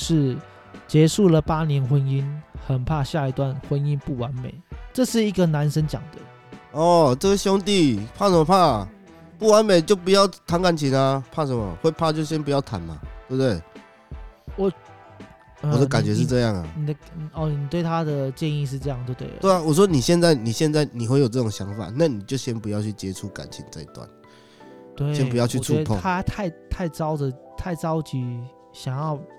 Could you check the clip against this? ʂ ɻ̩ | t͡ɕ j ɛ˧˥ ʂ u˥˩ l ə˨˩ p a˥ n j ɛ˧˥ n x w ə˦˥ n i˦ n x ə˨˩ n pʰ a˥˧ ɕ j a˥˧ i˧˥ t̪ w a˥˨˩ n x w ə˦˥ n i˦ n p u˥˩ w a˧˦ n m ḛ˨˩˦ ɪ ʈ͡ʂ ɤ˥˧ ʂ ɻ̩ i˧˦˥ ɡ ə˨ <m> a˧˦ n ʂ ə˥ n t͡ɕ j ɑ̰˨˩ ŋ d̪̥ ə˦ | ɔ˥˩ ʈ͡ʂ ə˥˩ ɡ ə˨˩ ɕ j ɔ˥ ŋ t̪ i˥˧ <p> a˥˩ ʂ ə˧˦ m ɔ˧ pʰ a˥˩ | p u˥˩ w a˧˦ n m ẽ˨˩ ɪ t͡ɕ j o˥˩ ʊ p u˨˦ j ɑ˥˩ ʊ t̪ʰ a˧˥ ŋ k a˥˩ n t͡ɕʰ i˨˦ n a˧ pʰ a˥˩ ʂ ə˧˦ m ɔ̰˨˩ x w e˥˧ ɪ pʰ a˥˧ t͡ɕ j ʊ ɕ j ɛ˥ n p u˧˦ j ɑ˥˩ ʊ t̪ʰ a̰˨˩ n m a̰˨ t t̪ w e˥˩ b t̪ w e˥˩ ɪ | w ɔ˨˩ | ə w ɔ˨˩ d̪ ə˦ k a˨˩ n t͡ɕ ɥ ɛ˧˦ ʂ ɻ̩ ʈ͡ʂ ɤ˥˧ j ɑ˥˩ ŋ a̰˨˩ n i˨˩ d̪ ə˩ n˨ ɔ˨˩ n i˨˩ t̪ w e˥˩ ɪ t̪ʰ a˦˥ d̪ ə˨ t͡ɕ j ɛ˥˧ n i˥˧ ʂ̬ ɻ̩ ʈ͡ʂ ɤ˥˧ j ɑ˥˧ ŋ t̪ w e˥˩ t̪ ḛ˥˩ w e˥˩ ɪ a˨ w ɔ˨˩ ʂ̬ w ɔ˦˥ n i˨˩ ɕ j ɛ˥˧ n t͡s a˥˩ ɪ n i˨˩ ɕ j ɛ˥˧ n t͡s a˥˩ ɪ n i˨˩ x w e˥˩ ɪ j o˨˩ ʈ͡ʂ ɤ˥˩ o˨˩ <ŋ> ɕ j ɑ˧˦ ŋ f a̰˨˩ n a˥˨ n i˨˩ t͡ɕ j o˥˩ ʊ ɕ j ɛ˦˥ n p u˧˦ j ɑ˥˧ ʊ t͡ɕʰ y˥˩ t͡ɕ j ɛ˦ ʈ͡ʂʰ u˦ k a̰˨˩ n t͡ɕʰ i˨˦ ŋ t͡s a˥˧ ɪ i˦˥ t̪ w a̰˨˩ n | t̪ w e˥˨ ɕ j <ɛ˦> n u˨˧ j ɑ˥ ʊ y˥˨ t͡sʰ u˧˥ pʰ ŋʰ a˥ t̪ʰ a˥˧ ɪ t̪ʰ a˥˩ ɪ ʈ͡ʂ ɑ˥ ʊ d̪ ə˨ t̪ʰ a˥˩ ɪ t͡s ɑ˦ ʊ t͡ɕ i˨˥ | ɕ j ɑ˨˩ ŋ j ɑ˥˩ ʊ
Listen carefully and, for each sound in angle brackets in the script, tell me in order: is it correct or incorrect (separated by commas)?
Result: incorrect, incorrect, correct, correct